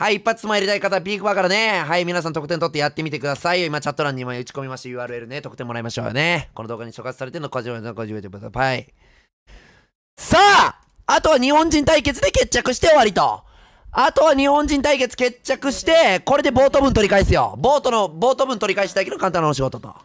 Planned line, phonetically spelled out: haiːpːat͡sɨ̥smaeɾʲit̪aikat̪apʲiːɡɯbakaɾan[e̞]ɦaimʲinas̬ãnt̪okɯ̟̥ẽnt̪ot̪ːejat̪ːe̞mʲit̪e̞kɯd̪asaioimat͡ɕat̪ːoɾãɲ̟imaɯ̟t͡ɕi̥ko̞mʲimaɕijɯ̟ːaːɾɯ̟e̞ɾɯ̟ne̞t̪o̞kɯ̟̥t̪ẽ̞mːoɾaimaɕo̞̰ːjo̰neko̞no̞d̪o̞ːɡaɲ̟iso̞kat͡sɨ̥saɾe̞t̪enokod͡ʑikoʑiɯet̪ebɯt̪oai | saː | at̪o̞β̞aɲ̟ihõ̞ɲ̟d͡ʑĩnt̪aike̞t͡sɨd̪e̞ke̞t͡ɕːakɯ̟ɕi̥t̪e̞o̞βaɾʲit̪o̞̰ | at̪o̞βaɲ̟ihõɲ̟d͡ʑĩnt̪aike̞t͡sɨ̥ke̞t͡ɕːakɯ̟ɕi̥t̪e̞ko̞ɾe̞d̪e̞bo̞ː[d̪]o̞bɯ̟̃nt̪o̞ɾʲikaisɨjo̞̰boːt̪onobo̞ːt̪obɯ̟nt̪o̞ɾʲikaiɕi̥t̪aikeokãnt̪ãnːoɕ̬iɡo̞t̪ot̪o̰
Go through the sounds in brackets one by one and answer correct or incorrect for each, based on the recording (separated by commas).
correct, incorrect